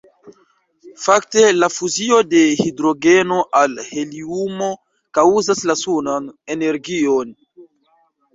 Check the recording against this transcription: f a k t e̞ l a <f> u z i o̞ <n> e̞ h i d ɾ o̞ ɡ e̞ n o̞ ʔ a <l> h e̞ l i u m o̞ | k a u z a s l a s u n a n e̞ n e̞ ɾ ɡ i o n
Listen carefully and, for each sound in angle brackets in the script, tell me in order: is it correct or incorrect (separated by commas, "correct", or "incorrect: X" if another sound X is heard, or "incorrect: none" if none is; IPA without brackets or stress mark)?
correct, incorrect: d, correct